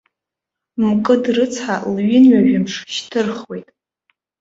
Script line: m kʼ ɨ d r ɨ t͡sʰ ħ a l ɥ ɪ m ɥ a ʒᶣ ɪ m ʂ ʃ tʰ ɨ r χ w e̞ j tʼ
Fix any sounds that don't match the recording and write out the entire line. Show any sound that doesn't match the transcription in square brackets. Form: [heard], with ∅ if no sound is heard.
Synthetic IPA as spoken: m kʼ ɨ d r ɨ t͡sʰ ħ a l ɥ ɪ [n] ɥ a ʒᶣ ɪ m ʂ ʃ tʰ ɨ r χ w e̞ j tʼ